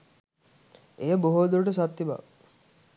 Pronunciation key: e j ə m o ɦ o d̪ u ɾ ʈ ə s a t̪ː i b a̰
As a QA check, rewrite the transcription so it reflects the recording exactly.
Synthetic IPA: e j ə b o ɦ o d̪ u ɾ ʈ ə s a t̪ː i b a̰